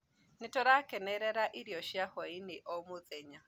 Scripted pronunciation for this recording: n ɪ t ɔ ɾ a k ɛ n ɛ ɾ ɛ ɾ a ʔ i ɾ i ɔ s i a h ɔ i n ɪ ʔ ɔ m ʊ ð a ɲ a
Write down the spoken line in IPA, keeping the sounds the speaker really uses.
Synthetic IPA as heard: n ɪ t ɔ ɾ a k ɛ n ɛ ɾ ɛ ɾ a ʔ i ɾ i ɔ ʃ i a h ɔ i n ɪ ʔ ɔ m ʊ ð ɛ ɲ a